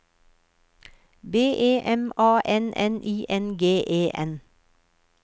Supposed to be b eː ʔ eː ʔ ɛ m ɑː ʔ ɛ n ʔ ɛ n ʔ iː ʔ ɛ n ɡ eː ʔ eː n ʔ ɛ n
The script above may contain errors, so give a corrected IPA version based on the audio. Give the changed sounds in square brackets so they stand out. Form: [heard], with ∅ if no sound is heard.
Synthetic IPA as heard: b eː ʔ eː ʔ ɛ m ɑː ʔ ɛ n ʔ ɛ n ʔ iː ʔ ɛ n ɡ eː ʔ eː [∅] ʔ ɛ n